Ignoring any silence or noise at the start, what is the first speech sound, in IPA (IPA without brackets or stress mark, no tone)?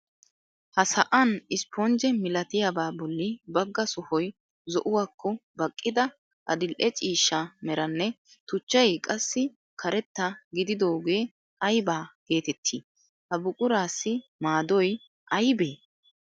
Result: h